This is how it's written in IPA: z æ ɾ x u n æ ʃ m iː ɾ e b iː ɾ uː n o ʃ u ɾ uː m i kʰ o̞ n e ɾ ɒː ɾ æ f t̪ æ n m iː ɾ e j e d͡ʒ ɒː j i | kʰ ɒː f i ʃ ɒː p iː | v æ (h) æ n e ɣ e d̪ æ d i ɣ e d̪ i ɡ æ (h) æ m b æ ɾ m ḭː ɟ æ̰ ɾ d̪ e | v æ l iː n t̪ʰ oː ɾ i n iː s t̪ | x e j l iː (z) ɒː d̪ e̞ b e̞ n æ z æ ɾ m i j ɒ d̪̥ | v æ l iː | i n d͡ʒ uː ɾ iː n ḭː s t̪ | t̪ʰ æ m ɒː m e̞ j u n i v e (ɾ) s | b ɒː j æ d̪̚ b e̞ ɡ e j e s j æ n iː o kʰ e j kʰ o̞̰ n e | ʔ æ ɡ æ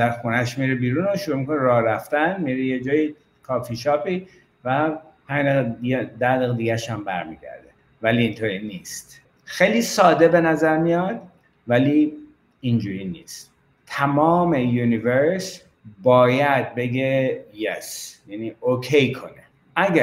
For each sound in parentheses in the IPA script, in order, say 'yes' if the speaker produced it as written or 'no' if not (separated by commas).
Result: yes, no, no, yes